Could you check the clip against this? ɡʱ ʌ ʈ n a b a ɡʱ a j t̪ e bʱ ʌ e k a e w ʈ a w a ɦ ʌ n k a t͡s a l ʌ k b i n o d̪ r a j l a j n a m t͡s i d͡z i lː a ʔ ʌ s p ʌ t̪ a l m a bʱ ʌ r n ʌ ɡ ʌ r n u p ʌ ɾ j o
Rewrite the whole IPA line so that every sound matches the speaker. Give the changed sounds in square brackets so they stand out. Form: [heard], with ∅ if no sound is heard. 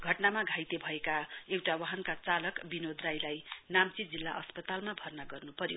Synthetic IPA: ɡʱ ʌ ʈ n a [m] a ɡʱ a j t̪ e bʱ ʌ e k a e w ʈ a w a ɦ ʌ n k a t͡s a l ʌ k b i n o d̪ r a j l a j n a m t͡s i d͡z i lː a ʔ ʌ s p ʌ t̪ a l m a bʱ ʌ r n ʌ ɡ ʌ r n u p ʌ ɾ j o

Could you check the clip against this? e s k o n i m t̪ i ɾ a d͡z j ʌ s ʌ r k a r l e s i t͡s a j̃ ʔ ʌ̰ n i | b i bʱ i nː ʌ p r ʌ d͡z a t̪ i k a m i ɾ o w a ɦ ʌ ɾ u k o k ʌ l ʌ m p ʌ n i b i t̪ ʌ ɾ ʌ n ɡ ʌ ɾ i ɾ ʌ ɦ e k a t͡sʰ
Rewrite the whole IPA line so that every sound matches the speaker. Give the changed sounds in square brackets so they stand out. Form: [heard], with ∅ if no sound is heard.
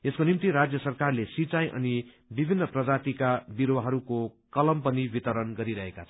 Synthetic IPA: e s k o n i m t̪ i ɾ a d͡z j ʌ s ʌ r k a r l e s i t͡s a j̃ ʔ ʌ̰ n i | b i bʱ i nː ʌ p r ʌ d͡z a t̪ i k a [b] i ɾ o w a ɦ ʌ ɾ u k o k ʌ l ʌ m p ʌ n i b i t̪ ʌ ɾ ʌ n ɡ ʌ ɾ i ɾ ʌ ɦ e k a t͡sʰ

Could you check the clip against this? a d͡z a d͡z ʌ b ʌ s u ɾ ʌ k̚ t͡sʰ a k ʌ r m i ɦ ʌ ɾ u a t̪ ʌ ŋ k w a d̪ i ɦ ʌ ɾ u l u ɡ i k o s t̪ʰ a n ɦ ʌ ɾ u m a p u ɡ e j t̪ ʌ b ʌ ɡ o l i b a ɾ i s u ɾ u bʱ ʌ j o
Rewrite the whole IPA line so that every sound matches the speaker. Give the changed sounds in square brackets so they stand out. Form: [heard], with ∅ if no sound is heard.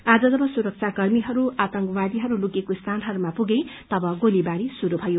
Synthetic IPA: a d͡z [ʌ] d͡z ʌ b ʌ s u ɾ ʌ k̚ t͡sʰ a k ʌ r m i ɦ ʌ ɾ u a t̪ ʌ ŋ k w a d̪ i ɦ ʌ ɾ u l u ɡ [e] k o s t̪ʰ a n ɦ ʌ ɾ u m a p u ɡ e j t̪ ʌ b ʌ ɡ o l i b a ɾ i s u ɾ u bʱ ʌ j o

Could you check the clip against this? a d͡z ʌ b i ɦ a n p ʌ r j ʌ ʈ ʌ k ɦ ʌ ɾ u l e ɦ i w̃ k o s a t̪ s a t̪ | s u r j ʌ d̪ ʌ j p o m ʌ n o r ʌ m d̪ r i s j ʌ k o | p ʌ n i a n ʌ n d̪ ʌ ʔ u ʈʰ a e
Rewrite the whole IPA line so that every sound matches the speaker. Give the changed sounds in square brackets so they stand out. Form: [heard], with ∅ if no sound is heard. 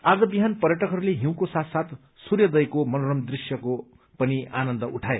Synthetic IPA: a d͡z ʌ b i ɦ a n p ʌ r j ʌ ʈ ʌ k ɦ ʌ ɾ u l e ɦ i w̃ k o s a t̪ s a t̪ | s u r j ʌ d̪ ʌ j [k] o m ʌ n o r ʌ m d̪ r i s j ʌ k o | p ʌ n i a n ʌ n d̪ ʌ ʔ u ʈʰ a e

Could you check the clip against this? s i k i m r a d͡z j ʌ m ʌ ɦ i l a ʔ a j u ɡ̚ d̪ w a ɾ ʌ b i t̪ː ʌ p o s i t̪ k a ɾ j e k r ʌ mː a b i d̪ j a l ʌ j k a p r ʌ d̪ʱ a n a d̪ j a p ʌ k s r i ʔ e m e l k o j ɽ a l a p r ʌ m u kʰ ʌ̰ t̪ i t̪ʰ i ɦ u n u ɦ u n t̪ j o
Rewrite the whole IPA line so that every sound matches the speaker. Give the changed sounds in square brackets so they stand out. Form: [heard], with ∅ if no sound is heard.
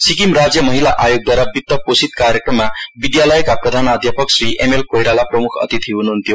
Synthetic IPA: s i k i m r a d͡z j ʌ m ʌ ɦ i l a ʔ a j [o] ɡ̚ d̪ w a ɾ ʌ b i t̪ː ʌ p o s i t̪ k a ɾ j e k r ʌ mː a b i d̪ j a l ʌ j k a p r ʌ d̪ʱ a n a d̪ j a p ʌ k s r i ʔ e m e l k o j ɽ a l a p r ʌ m u kʰ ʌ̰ t̪ i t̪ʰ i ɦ u n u ɦ u n t̪ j o

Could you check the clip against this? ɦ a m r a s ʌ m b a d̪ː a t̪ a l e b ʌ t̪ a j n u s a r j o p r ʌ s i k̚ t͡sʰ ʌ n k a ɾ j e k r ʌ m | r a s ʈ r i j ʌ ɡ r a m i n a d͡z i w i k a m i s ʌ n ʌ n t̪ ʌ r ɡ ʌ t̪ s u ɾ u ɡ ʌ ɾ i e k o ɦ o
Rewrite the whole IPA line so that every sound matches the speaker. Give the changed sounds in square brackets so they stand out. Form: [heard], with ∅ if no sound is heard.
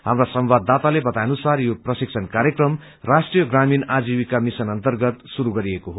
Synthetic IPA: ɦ a m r a s ʌ m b a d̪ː a t̪ a l e b ʌ t̪ a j n u s a r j o p r ʌ s i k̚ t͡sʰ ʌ n k a ɾ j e k r ʌ m | r a s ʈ r i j ʌ ɡ r a m i n a d͡z i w i k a m i s ʌ n ʌ n t̪ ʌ r ɡ ʌ t̪ s u ɾ u ɡ ʌ ɾ i e k o ɦ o

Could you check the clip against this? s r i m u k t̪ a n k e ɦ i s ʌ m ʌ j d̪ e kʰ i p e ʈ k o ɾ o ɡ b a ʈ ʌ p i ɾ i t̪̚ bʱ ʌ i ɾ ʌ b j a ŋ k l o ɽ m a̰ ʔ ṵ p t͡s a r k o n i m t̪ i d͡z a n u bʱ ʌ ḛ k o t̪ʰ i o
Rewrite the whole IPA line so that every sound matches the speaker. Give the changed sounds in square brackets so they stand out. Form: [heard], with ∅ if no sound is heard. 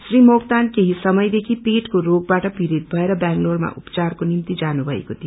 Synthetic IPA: s r i m [o] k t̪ a n k e ɦ i s ʌ m ʌ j d̪ e kʰ i p e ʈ k o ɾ o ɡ b a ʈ ʌ p i ɾ i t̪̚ bʱ ʌ [e] ɾ ʌ b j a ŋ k l o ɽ m a̰ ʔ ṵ p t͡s a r k o n i m t̪ i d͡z a n u bʱ ʌ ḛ k o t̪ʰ i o

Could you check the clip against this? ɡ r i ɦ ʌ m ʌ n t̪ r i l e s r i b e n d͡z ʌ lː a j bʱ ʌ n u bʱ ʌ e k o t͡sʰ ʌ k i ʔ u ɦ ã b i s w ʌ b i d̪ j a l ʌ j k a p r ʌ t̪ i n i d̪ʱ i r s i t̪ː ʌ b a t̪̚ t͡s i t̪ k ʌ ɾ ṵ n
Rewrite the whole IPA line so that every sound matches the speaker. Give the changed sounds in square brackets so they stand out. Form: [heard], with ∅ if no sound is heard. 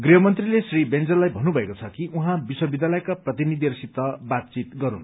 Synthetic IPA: ɡ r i ɦ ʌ m ʌ n t̪ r i l e s r i b e n d͡z ʌ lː a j bʱ ʌ n u bʱ ʌ e k o t͡sʰ ʌ k i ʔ u ɦ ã b i s w ʌ b i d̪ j a l ʌ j k a p r ʌ t̪ i n i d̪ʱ i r s i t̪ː ʌ b a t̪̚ t͡s i t̪ [ɡ] ʌ ɾ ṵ n

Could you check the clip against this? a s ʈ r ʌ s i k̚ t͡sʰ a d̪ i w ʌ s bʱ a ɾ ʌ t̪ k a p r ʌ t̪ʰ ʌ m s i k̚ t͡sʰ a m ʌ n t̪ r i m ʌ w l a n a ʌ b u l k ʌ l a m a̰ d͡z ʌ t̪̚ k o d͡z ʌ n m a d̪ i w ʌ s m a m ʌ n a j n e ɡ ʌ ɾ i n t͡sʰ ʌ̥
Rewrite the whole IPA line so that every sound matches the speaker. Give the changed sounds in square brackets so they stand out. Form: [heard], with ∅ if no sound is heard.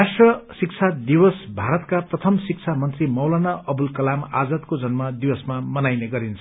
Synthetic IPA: a s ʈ r ʌ s i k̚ t͡sʰ a d̪ i w ʌ s bʱ a ɾ ʌ t̪ k a p r ʌ t̪ʰ ʌ m s i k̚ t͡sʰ a m ʌ n t̪ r i m ʌ w l a n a ʌ b u l k ʌ l a m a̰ d͡z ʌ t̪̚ k o d͡z ʌ n m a d̪ i w ʌ s m a m ʌ n a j n e ɡ ʌ ɾ i n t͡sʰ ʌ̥

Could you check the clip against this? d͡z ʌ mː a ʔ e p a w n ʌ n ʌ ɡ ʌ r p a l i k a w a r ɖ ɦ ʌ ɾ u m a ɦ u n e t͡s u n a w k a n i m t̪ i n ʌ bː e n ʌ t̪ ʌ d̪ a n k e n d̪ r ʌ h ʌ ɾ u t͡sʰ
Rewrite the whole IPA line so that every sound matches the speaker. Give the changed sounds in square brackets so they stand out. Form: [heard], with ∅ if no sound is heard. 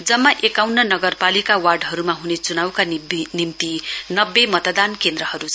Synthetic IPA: d͡z ʌ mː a ʔ e [k] a w n ʌ n ʌ ɡ ʌ r p a l i k a w a r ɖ ɦ ʌ ɾ u m a ɦ u n e t͡s u n a w k a n i m t̪ i n ʌ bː e [m] ʌ t̪ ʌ d̪ a n k e n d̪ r ʌ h ʌ ɾ u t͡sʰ

